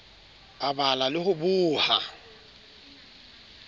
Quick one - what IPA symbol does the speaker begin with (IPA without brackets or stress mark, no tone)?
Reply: a